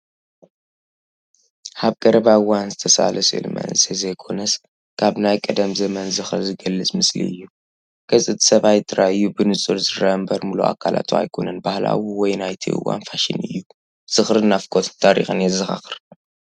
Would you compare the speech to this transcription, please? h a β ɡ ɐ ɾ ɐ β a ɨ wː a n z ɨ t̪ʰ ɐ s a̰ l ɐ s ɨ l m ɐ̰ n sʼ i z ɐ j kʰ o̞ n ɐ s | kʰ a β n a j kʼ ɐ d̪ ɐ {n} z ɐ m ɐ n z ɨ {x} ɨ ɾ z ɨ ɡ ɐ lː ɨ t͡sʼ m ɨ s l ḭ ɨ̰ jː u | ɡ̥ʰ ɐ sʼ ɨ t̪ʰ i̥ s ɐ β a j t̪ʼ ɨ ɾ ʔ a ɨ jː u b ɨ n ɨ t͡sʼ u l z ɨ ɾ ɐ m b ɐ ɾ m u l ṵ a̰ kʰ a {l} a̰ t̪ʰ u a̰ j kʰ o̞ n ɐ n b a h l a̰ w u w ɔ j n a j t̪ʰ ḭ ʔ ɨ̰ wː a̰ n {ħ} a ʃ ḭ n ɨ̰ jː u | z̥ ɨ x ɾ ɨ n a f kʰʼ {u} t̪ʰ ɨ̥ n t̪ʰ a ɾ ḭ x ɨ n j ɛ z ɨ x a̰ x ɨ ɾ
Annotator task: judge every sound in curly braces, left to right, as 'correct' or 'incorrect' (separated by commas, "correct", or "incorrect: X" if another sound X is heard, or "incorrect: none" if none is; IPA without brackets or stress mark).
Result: incorrect: m, correct, correct, incorrect: f, incorrect: o